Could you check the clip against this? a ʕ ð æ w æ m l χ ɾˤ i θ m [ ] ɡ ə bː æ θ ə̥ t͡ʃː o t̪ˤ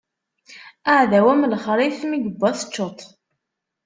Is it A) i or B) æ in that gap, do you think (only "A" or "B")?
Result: A